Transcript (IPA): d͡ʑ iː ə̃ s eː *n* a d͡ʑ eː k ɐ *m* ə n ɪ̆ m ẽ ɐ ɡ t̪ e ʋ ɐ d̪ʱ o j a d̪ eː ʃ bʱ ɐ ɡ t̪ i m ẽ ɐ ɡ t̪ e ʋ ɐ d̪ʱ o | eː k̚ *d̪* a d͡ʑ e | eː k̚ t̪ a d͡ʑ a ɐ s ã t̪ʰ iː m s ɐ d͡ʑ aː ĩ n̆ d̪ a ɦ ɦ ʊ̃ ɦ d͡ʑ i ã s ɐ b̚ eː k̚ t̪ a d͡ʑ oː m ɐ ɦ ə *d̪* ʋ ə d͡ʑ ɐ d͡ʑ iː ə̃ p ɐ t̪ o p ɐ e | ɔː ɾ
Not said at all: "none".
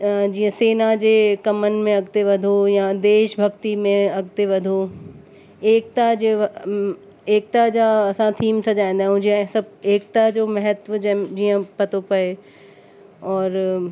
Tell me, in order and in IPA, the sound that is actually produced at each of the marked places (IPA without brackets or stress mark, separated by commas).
n, m, t̪, t̪